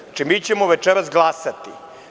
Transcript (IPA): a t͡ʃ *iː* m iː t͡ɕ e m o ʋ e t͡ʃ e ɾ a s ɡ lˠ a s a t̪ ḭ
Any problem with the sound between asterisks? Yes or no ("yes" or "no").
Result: yes